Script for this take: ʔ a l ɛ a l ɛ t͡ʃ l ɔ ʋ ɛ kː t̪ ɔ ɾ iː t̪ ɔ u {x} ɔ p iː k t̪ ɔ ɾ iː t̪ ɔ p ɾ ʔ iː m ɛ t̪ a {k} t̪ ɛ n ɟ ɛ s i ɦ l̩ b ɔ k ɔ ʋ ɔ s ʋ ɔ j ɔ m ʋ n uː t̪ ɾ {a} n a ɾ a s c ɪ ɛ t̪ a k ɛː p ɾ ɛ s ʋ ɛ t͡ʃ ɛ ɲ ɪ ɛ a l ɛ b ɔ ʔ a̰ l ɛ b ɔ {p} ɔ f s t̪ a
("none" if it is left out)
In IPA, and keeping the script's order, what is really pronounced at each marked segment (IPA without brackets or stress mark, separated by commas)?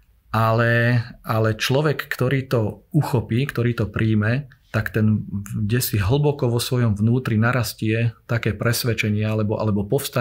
x, k, i, p